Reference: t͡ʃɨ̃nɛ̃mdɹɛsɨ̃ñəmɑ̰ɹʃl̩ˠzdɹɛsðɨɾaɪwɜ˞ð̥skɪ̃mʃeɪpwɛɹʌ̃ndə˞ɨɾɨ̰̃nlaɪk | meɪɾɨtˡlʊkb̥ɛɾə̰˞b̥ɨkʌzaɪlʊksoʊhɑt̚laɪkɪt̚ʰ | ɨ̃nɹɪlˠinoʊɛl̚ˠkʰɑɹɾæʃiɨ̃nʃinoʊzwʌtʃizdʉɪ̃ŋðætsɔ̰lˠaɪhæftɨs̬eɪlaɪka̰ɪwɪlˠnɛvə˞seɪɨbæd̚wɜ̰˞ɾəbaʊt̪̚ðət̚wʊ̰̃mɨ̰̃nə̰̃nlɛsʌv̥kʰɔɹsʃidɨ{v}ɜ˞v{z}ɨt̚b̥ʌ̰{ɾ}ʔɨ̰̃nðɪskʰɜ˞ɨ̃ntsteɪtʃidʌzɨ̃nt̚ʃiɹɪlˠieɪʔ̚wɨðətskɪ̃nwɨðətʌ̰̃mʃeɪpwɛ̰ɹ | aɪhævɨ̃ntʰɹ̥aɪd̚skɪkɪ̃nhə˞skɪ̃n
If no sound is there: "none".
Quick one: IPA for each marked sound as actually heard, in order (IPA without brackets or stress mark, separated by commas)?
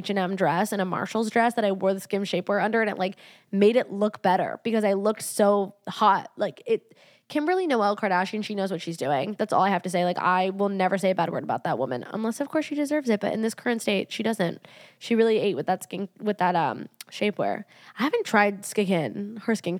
z, z, ɾ